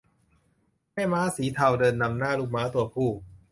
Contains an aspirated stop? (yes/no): yes